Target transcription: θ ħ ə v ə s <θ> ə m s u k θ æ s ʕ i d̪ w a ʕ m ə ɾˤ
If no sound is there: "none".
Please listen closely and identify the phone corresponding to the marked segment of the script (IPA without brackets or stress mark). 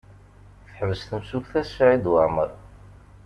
θ